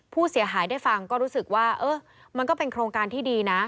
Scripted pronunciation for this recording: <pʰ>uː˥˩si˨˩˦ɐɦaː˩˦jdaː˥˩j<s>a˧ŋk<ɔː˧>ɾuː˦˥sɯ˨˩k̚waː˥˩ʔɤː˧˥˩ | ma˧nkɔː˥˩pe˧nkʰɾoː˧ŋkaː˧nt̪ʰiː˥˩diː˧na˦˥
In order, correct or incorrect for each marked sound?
correct, incorrect: f, incorrect: ɔː˥˩

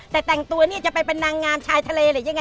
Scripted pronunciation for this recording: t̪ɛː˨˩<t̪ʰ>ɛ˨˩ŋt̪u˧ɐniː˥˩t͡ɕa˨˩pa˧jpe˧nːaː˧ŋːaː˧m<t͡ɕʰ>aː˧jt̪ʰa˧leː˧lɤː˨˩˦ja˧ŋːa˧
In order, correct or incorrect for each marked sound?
incorrect: t̪, correct

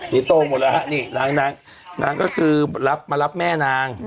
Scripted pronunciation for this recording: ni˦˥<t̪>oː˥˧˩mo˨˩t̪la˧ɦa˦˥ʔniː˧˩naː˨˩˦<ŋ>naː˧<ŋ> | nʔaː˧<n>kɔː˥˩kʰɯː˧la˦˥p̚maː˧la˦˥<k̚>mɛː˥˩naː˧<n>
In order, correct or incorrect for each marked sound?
correct, correct, correct, incorrect: ŋ, incorrect: p̚, incorrect: ŋ

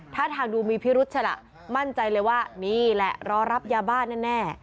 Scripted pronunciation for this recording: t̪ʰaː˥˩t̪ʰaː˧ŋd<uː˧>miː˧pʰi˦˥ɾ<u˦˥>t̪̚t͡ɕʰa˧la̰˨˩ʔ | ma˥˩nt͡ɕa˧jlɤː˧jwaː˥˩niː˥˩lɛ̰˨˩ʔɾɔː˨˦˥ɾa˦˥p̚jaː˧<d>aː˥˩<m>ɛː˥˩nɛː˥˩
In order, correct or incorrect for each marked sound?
correct, correct, incorrect: b, incorrect: n

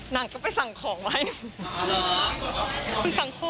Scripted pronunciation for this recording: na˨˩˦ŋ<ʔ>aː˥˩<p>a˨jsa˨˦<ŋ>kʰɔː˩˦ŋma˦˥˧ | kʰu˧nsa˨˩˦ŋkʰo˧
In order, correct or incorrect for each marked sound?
incorrect: k, correct, correct

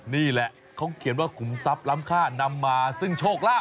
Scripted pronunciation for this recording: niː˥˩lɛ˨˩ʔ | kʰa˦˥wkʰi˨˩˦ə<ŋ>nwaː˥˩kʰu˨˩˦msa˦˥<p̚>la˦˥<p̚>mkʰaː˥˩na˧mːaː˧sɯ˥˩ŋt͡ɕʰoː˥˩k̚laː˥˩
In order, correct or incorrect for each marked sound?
incorrect: none, correct, incorrect: none

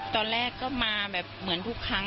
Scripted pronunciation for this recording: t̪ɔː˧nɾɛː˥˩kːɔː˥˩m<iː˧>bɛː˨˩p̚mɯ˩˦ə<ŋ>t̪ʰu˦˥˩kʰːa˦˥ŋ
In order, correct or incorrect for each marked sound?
incorrect: aː˧, incorrect: n

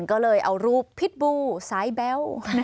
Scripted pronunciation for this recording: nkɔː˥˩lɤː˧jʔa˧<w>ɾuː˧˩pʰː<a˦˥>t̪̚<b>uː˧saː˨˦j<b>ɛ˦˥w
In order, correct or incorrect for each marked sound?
correct, incorrect: i˦˥, correct, correct

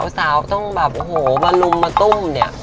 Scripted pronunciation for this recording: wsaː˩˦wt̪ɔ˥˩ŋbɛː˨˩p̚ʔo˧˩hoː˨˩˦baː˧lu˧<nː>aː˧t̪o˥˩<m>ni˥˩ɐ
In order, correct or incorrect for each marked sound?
incorrect: mː, correct

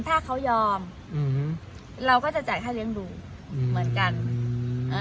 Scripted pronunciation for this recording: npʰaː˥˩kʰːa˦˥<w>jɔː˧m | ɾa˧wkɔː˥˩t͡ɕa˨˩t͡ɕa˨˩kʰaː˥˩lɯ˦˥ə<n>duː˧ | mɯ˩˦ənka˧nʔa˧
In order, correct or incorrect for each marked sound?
correct, incorrect: ŋ

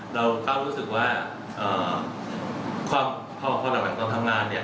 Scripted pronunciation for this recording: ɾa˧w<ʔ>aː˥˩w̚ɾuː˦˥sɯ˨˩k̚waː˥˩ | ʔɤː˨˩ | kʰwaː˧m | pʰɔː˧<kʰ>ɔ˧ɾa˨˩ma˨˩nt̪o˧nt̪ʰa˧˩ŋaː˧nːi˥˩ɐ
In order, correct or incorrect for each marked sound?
incorrect: k, incorrect: pʰ

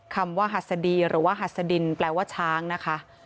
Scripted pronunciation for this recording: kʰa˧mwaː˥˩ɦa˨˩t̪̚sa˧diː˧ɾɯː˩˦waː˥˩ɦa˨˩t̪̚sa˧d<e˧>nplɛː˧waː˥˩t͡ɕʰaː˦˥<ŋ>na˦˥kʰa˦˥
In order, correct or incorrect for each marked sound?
incorrect: i˧, correct

